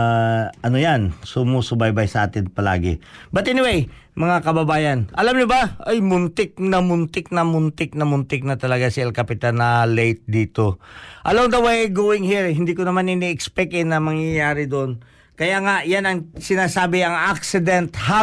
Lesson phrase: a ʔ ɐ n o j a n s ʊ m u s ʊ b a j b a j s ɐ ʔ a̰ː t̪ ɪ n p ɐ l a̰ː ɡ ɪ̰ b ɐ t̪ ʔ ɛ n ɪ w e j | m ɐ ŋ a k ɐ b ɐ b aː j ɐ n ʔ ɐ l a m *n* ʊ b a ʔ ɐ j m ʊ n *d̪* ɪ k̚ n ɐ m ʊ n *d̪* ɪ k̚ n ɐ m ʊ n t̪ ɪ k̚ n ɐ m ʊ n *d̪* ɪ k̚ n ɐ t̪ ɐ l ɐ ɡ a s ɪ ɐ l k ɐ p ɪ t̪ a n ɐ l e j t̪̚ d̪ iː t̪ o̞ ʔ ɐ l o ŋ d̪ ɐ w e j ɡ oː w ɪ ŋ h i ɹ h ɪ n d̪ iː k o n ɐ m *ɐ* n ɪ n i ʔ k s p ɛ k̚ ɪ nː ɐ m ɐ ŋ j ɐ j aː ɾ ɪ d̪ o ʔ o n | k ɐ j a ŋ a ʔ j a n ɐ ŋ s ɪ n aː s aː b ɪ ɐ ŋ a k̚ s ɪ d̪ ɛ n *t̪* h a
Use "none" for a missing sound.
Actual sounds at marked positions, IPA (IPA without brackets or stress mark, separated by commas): ɲ, t̪, t̪, t̪, a, t̪